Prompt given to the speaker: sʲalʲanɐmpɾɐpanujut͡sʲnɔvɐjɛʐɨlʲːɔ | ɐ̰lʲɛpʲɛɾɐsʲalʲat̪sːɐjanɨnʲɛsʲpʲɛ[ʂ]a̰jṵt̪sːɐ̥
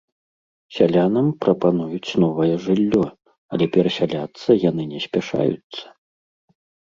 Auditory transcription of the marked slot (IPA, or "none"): ʂ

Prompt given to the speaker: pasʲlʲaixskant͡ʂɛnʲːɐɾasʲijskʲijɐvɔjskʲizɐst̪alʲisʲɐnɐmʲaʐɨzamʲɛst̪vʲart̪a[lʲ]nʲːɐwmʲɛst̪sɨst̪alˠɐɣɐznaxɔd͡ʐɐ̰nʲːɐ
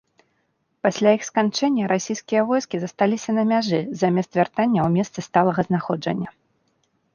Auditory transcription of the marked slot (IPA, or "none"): none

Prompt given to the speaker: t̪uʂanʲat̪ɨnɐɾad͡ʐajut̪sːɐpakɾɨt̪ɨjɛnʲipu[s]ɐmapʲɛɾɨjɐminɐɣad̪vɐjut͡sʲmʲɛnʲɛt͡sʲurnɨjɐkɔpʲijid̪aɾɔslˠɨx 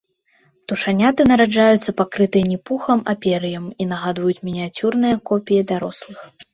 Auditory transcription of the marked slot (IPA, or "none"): x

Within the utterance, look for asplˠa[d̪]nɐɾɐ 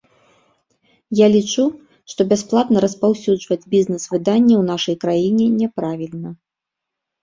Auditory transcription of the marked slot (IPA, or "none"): t̪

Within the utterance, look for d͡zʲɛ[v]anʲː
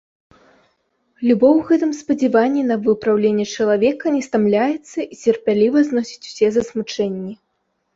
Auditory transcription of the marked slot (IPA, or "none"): v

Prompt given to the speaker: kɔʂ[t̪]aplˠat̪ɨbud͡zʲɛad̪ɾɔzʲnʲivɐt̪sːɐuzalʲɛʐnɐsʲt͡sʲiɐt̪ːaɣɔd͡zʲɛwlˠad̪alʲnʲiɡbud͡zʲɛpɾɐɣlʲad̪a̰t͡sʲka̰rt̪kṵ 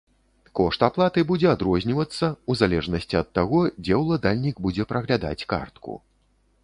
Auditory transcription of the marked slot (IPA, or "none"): t̪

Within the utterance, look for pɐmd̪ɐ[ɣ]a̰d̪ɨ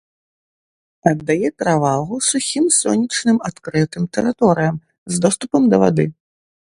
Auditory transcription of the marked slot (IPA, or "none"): v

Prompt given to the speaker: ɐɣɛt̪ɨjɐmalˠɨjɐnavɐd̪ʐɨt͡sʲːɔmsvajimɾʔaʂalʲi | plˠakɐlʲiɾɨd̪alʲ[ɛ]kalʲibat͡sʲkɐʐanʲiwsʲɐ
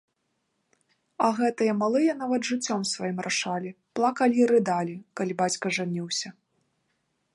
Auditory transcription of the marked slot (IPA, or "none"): i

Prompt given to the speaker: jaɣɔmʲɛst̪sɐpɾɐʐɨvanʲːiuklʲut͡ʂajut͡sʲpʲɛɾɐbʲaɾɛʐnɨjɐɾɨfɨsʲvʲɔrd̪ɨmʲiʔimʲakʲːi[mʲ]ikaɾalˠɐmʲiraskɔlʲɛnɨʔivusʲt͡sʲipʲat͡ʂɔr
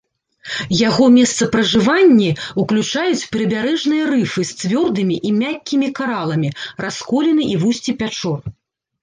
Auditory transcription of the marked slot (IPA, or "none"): mʲ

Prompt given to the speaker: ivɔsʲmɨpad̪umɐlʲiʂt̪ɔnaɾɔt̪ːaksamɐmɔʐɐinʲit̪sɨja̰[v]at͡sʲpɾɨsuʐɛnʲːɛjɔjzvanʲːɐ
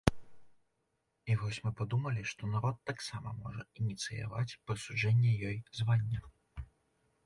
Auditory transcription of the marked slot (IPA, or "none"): v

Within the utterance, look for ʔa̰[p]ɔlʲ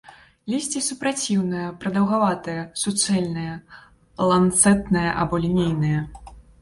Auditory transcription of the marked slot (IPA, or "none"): b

